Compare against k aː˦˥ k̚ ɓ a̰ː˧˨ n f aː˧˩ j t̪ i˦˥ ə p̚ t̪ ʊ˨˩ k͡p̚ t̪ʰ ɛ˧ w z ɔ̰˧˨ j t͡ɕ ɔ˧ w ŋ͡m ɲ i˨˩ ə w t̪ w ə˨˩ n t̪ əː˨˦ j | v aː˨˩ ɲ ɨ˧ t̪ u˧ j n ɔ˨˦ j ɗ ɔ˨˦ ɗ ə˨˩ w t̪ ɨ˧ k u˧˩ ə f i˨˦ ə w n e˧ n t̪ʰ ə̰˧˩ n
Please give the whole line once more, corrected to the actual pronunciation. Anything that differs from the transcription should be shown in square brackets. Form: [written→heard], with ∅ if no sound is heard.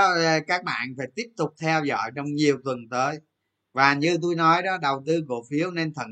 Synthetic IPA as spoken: k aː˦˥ k̚ ɓ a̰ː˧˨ n f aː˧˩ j t̪ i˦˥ ə p̚ t̪ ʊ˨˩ k͡p̚ t̪ʰ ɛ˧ w z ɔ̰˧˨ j t͡ɕ ɔ˧ w ŋ͡m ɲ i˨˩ ə w t̪ w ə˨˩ n t̪ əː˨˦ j | v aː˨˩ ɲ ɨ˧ t̪ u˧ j n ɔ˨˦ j ɗ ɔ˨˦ ɗ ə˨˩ w t̪ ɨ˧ k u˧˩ ə f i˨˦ ə w n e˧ n t̪ʰ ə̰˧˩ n